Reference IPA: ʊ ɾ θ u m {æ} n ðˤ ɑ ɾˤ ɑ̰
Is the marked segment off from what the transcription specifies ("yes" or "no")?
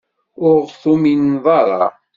yes